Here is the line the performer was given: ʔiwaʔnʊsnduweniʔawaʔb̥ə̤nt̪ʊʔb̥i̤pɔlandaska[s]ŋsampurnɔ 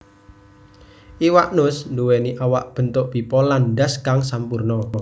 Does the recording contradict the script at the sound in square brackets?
yes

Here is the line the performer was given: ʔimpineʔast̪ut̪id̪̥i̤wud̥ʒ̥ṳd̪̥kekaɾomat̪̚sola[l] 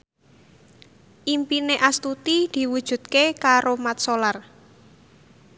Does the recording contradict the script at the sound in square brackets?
yes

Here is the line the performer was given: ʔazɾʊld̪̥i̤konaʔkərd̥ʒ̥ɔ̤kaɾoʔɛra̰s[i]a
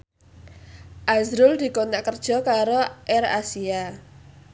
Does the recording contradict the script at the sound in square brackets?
no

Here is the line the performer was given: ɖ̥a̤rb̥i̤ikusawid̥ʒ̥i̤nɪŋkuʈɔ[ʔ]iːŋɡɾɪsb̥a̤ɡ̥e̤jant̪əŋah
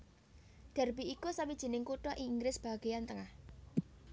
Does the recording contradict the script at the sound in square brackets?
no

